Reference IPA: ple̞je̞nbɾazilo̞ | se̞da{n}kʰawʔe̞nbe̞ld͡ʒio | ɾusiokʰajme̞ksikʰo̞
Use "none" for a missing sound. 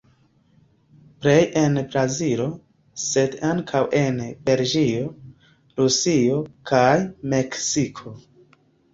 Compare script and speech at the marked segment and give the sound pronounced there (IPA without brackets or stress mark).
ŋ